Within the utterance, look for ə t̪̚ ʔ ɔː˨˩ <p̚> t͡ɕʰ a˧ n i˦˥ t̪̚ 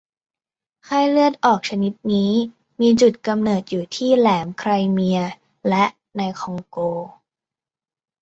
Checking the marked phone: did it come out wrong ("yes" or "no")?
yes